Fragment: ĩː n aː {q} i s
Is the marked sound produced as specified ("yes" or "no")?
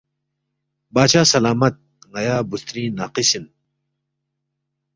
yes